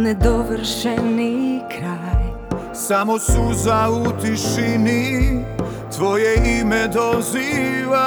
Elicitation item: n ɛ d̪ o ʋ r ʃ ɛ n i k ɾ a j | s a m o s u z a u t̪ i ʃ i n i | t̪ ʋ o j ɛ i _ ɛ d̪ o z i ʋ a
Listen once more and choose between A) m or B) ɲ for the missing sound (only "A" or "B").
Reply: A